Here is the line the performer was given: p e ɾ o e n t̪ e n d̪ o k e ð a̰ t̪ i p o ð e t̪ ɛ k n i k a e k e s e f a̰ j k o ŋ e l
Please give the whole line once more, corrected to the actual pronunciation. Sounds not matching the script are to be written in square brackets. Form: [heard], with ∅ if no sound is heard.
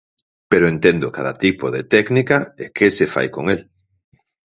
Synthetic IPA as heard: p e ɾ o e n t̪ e n d̪ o k [a] ð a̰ t̪ i p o ð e t̪ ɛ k n i k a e k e s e f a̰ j k o ŋ e l